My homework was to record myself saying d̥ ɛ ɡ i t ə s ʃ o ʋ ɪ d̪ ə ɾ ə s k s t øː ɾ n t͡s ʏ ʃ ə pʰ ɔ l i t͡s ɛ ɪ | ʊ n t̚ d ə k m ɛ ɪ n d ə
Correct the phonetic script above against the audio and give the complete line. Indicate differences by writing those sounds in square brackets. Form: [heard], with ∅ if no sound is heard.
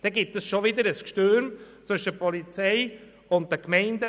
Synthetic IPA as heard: d̥ ɛ ɡ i t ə s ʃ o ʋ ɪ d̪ ə ɾ ə s k [ʃ] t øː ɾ [m] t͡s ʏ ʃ ə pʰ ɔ l i t͡s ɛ ɪ | ʊ n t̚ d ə k m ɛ ɪ n d ə

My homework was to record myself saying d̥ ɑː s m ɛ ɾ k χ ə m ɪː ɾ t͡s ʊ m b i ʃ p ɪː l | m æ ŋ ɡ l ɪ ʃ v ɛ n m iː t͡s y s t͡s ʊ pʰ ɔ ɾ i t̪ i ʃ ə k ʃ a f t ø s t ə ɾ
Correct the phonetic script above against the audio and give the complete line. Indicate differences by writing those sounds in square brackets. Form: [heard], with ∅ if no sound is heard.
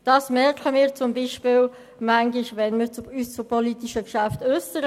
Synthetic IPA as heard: d̥ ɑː s m ɛ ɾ k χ ə m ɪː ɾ t͡s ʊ m b i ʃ p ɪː l | m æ ŋ ɡ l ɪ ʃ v ɛ n m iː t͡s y s t͡s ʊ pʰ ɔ [l] i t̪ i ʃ ə k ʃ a f t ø s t ə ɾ

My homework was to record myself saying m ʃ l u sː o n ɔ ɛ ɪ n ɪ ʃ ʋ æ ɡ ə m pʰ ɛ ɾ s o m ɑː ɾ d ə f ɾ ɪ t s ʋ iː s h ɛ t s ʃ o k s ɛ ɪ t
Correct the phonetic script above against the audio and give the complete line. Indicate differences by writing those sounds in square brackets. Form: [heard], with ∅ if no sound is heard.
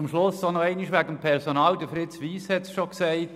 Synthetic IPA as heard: m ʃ l [ʊ] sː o n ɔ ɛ ɪ n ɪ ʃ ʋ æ ɡ ə m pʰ ɛ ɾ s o [n] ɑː [l] d ə f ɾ ɪ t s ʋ iː s h ɛ t s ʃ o k s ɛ ɪ t

